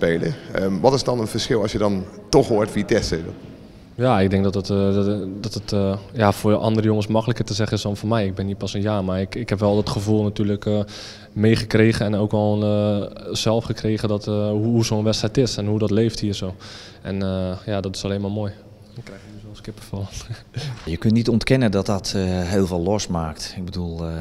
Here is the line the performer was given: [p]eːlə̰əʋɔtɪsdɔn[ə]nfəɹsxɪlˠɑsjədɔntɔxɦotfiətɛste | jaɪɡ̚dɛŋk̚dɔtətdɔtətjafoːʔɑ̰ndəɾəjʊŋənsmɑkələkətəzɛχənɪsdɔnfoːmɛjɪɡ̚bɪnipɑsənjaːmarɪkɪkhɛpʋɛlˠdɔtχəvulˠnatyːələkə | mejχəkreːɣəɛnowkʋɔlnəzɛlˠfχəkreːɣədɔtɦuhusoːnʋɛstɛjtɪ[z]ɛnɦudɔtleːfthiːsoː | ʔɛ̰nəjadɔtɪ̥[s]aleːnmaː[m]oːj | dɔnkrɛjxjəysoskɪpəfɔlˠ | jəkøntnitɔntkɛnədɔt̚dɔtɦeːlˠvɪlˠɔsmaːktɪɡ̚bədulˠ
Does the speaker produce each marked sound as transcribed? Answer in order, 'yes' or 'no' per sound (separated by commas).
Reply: yes, yes, no, yes, yes